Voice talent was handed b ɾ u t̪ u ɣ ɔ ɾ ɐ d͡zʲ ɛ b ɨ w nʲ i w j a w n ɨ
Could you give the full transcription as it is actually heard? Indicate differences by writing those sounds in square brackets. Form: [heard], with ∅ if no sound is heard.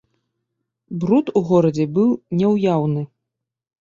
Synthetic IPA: b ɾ u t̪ u ɣ ɔ ɾ ɐ d͡zʲ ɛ b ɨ w nʲ [ɛ] w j a w n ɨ